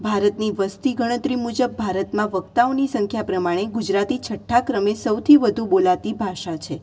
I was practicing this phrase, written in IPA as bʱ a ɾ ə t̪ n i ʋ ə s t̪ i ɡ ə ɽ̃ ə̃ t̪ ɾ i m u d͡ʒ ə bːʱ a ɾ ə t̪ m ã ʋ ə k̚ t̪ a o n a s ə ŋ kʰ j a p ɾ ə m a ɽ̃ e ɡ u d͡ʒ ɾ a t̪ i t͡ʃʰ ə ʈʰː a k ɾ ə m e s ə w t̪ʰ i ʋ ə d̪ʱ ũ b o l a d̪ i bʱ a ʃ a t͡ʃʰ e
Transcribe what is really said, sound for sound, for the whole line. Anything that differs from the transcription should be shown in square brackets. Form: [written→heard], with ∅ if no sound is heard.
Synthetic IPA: bʱ a ɾ ə t̪ n i ʋ ə s t̪ i ɡ ə ɽ̃ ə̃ t̪ ɾ i m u d͡ʒ ə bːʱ a ɾ ə t̪ m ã ʋ ə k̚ t̪ a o n [a→i] s ə ŋ kʰ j a p ɾ ə m a ɽ̃ e ɡ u d͡ʒ ɾ a t̪ i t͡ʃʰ ə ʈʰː a k ɾ ə m e s ə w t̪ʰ i ʋ ə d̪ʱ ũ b o l a [d̪→t̪] i bʱ a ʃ a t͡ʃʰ e